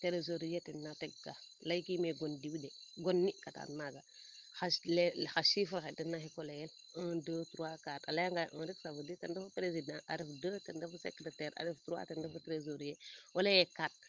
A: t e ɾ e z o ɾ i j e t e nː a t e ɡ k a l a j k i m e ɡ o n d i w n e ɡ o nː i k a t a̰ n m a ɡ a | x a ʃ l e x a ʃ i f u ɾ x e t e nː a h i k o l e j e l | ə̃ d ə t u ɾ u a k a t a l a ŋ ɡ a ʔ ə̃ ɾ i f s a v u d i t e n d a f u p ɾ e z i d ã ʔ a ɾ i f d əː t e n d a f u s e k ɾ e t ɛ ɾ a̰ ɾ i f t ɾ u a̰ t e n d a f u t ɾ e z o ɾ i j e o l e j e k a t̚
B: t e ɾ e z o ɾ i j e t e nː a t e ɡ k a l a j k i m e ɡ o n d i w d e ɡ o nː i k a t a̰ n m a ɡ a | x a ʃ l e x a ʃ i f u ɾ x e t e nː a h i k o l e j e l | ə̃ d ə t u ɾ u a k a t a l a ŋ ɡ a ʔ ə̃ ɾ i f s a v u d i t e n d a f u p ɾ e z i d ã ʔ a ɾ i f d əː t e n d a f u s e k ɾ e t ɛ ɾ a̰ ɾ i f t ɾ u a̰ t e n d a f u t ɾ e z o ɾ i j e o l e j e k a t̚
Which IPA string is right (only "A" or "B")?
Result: B